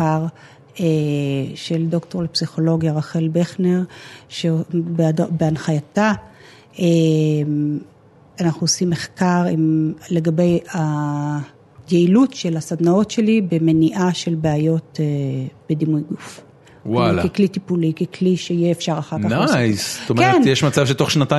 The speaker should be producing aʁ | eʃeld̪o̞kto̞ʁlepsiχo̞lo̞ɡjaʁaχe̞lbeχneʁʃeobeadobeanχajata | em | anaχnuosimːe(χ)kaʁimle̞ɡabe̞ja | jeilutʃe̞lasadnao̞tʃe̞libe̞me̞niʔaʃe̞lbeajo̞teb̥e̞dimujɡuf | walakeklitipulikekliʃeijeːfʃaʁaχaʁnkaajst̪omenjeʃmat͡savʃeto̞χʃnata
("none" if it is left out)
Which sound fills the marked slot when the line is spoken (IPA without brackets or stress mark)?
χ